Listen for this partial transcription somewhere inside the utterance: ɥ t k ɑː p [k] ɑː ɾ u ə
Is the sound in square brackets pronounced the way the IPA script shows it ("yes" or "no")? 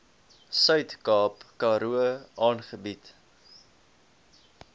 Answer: yes